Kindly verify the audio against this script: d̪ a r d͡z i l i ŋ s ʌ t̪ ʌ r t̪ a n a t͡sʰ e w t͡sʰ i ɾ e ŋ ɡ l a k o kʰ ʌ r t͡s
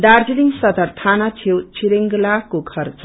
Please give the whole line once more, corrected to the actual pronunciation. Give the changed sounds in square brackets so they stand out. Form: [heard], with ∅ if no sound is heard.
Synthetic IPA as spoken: d̪ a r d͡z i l i ŋ s ʌ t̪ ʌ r [t̪ʰ] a n a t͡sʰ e w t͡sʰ i ɾ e ŋ ɡ l a k o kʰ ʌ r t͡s